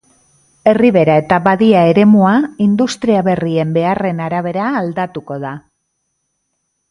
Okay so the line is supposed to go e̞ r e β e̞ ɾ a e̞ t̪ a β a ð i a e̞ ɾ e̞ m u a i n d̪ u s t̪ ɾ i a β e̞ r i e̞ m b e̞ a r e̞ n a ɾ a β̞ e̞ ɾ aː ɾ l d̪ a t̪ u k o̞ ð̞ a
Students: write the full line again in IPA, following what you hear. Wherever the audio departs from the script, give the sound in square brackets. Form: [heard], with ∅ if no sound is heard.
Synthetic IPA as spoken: e̞ r [i] β e̞ ɾ a e̞ t̪ a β a ð i a e̞ ɾ e̞ m u a i n d̪ u s t̪ ɾ i a β e̞ r i e̞ m b e̞ a r e̞ n a ɾ a β̞ e̞ ɾ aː [∅] l d̪ a t̪ u k o̞ ð̞ a